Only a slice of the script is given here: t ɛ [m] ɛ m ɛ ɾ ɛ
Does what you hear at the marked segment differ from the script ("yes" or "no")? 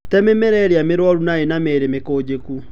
no